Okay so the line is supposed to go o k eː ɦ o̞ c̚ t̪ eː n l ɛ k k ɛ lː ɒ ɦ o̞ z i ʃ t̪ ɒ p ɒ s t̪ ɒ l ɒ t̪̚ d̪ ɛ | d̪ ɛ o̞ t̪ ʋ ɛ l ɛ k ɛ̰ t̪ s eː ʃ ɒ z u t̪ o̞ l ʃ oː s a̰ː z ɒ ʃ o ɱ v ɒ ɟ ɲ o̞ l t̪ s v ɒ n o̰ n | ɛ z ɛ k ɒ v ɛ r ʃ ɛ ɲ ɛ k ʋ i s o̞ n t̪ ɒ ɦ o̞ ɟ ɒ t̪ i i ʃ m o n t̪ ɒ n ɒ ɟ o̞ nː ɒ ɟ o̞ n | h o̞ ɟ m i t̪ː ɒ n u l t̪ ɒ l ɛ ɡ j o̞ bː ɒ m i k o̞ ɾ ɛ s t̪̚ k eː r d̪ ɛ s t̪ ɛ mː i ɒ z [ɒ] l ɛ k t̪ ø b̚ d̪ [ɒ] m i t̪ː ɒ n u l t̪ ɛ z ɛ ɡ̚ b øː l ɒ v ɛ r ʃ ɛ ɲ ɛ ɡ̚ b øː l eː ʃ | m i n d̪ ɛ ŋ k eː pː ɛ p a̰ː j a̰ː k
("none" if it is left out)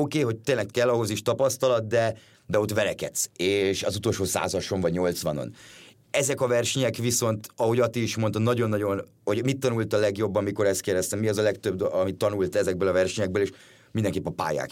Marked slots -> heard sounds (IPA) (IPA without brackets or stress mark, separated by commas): ɒ, ɒ